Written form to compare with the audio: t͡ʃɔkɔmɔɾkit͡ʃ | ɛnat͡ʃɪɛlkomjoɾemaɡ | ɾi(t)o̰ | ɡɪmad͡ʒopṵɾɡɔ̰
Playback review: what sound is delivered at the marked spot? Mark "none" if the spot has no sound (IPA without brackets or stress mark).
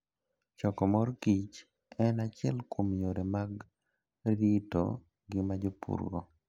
t